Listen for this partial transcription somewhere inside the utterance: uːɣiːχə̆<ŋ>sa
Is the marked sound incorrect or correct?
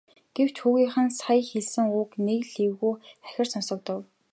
incorrect